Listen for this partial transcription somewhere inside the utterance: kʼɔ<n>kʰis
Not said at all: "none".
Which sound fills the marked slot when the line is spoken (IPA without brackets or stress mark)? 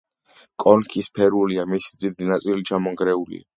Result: n